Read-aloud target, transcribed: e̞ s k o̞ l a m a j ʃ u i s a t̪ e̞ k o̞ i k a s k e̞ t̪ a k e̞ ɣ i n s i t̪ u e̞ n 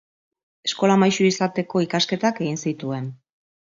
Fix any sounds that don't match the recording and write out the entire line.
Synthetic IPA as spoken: e̞ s k o̞ l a m a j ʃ u i s a t̪ e̞ k o̞ i k a s k e̞ t̪ a k e̞ ɣ i n s i t̪ u e̞ n